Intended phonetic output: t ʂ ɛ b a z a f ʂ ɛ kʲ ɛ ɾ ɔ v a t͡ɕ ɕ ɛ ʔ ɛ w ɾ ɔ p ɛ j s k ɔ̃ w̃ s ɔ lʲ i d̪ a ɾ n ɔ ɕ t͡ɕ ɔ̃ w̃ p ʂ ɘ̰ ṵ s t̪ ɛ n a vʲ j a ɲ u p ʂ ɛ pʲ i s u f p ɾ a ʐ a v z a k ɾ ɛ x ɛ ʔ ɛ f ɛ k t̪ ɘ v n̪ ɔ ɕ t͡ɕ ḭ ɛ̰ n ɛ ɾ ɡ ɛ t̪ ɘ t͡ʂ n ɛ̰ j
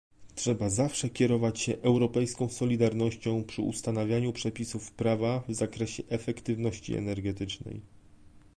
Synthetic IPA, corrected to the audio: t ʂ ɛ b a z a f ʂ ɛ kʲ ɛ ɾ ɔ v a t͡ɕ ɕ ɛ ʔ ɛ w ɾ ɔ p ɛ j s k ɔ̃ w̃ s ɔ lʲ i d̪ a ɾ n ɔ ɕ t͡ɕ ɔ̃ w̃ p ʂ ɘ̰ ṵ s t̪ a n a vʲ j a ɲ u p ʂ ɛ pʲ i s u f p ɾ a v a v z a k ɾ ɛ ɕ ɛ ʔ ɛ f ɛ k t̪ ɘ v n̪ ɔ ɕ t͡ɕ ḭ ɛ̰ n ɛ ɾ ɡ ɛ t̪ ɘ t͡ʂ n ɛ̰ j

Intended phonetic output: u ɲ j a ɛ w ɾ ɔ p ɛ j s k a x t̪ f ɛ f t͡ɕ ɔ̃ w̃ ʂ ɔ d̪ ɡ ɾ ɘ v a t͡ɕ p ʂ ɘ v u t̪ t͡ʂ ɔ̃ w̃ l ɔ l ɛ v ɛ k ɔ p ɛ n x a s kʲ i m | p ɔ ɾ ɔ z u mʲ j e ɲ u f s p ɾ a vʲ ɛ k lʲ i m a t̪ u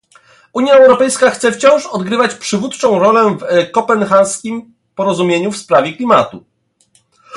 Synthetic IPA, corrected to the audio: u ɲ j a ɛ w ɾ ɔ p ɛ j s k a x t̪ s ɛ f t͡ɕ ɔ̃ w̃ ʂ ɔ d̪ ɡ ɾ ɘ v a t͡ɕ p ʂ ɘ v u t̪ t͡ʂ ɔ̃ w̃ ɾ ɔ l ɛ v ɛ k ɔ p ɛ n x a s kʲ i m | p ɔ ɾ ɔ z u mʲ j e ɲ u f s p ɾ a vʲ ɛ k lʲ i m a t̪ u

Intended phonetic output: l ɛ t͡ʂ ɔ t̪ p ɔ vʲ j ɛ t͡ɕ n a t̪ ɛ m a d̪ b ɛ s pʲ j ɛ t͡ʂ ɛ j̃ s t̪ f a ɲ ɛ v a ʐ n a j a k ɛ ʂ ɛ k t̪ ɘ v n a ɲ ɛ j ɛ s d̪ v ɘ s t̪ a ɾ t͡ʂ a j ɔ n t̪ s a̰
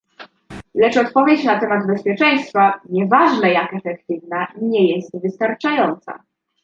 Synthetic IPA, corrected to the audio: l ɛ t͡ʂ ɔ t̪ p ɔ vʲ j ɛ t͡ɕ n a t̪ ɛ m a d̪ b ɛ s pʲ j ɛ t͡ʂ ɛ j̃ s t̪ f a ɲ ɛ v a ʐ n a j a k ɛ f ɛ k t̪ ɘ v n a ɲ ɛ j ɛ s t̪ v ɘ s t̪ a ɾ t͡ʂ a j ɔ n t̪ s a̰

